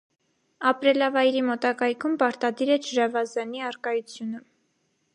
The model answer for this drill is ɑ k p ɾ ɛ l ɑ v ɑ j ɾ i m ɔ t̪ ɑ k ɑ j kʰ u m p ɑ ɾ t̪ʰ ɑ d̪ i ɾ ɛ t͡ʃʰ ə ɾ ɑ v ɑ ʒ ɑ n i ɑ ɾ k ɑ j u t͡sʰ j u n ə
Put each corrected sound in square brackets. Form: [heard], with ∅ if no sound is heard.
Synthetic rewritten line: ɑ [∅] p ɾ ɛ l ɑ v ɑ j ɾ i m ɔ t̪ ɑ k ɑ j kʰ u m p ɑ ɾ [t̪] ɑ d̪ i ɾ ɛ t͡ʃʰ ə ɾ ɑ v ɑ [z] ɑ n i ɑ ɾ k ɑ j u t͡sʰ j u n ə